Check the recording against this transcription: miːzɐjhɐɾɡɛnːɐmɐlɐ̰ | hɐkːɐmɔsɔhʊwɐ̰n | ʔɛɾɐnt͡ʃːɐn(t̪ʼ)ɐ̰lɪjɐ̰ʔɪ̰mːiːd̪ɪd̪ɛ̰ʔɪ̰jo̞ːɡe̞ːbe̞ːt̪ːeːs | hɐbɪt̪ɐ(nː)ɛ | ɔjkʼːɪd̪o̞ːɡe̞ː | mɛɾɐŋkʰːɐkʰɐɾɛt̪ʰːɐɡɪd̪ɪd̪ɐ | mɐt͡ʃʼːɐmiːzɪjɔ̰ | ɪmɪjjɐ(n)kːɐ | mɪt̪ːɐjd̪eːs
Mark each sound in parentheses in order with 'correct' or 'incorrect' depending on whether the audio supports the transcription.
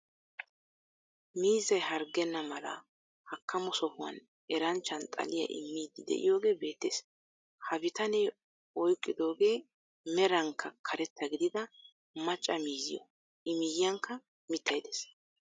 correct, incorrect, incorrect

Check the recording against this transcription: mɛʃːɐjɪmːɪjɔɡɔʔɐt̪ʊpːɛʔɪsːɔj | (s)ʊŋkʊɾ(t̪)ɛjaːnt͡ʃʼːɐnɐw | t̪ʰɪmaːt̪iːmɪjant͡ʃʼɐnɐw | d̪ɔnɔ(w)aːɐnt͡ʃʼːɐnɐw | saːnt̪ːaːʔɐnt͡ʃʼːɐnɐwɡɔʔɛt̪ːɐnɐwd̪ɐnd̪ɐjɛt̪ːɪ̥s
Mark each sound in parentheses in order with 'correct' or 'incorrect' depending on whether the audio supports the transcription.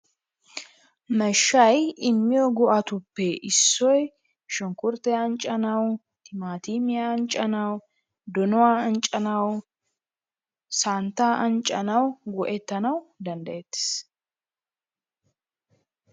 incorrect, correct, correct

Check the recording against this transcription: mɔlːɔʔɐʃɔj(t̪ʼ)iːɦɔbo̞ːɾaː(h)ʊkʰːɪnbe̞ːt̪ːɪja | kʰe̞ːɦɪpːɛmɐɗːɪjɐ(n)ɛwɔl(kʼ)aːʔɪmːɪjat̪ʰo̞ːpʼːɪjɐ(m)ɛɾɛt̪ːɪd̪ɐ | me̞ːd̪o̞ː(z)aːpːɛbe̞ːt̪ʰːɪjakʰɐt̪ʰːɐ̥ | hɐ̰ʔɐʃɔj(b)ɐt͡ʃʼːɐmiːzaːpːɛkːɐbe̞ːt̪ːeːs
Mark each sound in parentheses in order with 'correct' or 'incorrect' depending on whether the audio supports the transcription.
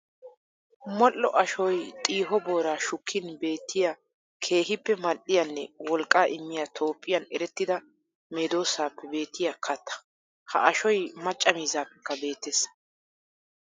correct, incorrect, incorrect, correct, incorrect, incorrect, incorrect

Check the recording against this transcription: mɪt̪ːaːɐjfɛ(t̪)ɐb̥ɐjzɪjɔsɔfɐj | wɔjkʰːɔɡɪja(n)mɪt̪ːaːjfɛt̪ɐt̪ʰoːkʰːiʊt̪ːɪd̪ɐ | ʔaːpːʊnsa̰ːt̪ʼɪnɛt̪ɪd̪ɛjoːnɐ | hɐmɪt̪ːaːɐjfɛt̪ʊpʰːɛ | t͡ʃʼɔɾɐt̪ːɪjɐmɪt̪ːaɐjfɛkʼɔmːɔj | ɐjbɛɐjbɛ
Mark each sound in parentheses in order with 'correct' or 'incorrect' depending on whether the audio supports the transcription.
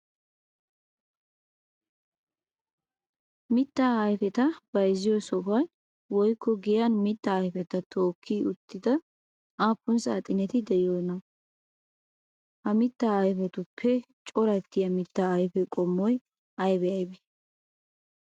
correct, correct

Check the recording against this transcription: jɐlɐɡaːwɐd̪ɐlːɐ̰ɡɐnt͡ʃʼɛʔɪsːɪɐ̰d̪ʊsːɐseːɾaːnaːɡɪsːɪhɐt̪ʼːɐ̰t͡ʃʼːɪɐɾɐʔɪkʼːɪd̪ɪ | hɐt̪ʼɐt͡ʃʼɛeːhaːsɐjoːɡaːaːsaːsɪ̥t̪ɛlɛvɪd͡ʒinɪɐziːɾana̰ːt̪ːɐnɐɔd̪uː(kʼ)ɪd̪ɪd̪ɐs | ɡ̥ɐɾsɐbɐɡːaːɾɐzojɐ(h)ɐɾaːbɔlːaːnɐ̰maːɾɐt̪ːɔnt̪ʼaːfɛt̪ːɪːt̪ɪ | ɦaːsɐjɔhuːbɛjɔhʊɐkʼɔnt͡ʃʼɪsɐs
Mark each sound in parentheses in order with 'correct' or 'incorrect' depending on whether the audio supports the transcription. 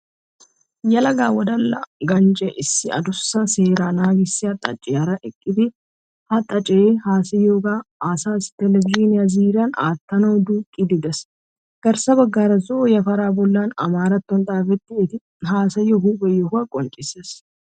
correct, incorrect

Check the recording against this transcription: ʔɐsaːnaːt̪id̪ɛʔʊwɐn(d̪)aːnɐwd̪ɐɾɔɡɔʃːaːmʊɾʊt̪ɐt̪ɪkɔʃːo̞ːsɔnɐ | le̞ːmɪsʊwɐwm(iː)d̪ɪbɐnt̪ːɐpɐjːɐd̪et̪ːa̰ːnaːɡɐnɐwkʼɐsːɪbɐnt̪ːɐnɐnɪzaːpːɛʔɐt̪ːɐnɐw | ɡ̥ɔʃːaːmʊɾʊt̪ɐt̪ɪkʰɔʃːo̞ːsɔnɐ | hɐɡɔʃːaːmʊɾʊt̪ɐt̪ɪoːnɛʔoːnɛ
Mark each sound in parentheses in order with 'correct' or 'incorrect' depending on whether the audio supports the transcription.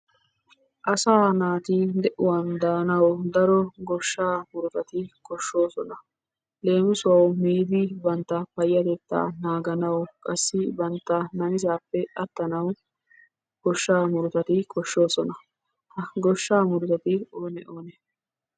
correct, correct

